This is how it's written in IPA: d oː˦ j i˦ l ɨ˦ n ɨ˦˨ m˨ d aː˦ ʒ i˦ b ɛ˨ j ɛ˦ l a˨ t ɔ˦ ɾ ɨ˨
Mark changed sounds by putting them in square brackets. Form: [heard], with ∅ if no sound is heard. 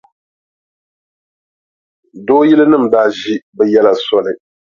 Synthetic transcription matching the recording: d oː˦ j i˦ l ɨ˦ n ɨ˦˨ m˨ d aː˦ ʒ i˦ b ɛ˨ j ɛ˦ l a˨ [s] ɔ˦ [l] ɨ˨